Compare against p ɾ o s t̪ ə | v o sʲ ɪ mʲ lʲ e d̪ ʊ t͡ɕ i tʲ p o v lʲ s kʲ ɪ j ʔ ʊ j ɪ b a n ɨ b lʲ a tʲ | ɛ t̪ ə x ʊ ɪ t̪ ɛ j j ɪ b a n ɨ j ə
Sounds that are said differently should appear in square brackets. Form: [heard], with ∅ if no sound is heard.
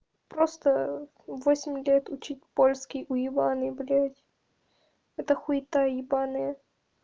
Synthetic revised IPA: p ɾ o s t̪ ə | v o sʲ ɪ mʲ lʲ e [t̪] ʊ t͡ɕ i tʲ p o [∅] lʲ s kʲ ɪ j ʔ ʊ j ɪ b a n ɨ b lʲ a tʲ | ɛ t̪ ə x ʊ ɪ t̪ [a] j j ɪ b a n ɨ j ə